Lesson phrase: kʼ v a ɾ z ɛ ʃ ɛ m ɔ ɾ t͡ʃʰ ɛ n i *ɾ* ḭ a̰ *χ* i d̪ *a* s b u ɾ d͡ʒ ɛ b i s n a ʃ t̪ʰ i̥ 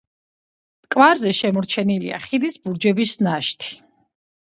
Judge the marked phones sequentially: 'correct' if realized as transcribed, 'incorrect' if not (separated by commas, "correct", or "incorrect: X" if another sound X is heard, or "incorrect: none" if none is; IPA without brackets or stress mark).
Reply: incorrect: l, correct, incorrect: i